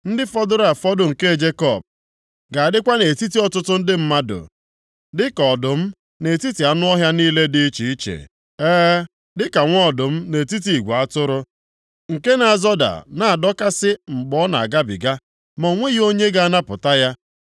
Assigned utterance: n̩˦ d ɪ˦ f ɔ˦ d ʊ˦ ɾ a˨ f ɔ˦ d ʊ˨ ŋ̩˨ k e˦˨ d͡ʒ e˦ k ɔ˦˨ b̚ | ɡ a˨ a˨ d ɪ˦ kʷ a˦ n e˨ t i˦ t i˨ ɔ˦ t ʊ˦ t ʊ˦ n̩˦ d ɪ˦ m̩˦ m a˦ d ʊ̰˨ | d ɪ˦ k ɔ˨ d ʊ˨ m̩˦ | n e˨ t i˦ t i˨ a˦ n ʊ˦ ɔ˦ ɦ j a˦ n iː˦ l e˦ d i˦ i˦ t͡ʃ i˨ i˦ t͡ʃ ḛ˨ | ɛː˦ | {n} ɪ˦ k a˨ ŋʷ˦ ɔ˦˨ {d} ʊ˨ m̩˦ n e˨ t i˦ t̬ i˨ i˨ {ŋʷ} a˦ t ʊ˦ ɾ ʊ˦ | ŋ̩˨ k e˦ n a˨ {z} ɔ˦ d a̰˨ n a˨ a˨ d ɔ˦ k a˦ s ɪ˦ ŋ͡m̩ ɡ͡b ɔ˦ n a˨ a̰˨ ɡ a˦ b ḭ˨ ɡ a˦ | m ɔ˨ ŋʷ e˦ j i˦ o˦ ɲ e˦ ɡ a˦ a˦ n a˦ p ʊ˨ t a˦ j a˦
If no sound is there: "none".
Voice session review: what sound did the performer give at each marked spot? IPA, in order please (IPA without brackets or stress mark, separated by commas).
d, d, ɡʷ, z